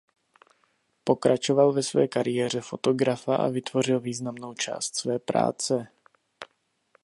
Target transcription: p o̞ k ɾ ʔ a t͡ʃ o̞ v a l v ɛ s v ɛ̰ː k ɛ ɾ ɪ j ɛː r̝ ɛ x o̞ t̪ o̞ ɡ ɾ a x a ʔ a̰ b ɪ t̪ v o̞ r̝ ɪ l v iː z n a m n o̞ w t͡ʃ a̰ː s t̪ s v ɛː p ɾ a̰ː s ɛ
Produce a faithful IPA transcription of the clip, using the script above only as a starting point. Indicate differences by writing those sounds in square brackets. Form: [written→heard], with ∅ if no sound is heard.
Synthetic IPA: p o̞ k ɾ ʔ a t͡ʃ o̞ v a l v ɛ s v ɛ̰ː k [ɛ→a] ɾ ɪ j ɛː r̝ ɛ [x→f] o̞ t̪ o̞ ɡ ɾ a [x→f] a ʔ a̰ [b→v] ɪ t̪ v o̞ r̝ ɪ l v iː z n a m n o̞ w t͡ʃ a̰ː s t̪ s v ɛː p ɾ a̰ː [s→t͡s] ɛ